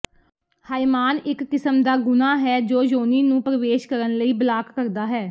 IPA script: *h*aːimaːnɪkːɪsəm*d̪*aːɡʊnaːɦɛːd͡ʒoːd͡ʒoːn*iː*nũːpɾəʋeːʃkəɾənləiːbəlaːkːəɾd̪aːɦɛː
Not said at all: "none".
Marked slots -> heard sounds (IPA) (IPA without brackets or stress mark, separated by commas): h, d̪, iː